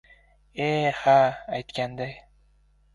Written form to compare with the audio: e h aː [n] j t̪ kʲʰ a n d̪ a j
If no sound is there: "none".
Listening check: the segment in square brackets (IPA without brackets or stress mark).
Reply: none